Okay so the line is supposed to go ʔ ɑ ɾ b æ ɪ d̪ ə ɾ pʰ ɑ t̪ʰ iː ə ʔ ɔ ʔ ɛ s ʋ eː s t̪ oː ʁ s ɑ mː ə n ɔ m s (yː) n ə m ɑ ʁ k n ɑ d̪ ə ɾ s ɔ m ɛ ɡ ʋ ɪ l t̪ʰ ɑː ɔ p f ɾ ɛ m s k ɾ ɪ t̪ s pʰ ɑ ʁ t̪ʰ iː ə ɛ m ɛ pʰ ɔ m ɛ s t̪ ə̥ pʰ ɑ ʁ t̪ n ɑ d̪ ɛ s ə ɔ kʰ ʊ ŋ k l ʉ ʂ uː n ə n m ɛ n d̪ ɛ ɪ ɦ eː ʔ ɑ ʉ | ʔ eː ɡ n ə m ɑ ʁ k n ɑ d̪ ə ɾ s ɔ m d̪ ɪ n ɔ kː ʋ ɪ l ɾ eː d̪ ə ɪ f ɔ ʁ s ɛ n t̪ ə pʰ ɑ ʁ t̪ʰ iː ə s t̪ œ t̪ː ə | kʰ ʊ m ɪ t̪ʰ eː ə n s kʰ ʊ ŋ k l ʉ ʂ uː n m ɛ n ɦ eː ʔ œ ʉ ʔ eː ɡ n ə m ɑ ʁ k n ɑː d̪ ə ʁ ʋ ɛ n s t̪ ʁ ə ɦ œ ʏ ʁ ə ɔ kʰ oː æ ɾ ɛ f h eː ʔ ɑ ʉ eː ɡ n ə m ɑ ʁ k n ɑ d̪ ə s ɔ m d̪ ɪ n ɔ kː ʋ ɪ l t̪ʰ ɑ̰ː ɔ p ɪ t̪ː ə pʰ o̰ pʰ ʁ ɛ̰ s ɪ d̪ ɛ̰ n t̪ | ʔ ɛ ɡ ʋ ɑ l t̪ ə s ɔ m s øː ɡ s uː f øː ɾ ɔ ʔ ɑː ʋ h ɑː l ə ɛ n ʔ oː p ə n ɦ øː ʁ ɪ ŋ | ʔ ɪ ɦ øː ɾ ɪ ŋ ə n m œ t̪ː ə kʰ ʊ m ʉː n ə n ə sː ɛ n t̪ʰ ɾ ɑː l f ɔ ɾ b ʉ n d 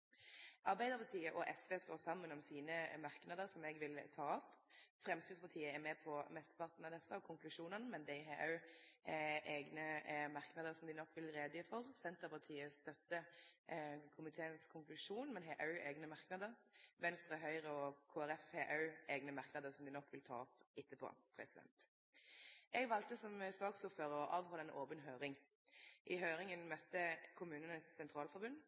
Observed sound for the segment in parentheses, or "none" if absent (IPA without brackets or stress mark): iː